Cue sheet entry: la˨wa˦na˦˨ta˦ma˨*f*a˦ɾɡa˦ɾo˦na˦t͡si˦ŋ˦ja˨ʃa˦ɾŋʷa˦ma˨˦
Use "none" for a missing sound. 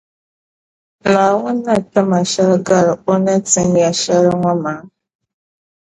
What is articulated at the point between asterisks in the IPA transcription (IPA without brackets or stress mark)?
ʃ